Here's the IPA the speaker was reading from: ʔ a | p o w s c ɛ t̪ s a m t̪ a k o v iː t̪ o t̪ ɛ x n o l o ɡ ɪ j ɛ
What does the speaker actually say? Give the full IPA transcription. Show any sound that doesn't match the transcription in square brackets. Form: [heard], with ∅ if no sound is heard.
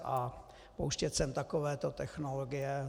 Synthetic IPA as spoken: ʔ a | p o w [ʃ] c ɛ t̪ s [ɛ] m t̪ a k o v [ɛː] t̪ o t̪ ɛ x n o l o ɡ ɪ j ɛ